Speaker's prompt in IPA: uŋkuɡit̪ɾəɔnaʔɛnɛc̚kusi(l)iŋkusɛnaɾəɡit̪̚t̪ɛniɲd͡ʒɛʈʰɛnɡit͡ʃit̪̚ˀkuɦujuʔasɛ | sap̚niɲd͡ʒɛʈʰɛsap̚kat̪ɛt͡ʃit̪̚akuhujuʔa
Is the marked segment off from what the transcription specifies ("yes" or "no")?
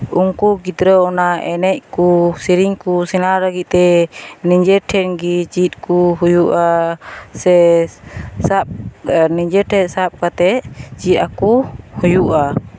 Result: yes